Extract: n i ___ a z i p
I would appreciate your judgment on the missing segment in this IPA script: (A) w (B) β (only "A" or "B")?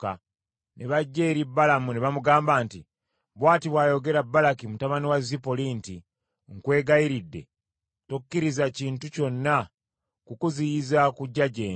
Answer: A